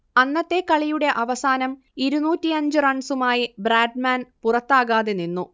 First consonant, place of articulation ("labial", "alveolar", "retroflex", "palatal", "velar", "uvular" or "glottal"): alveolar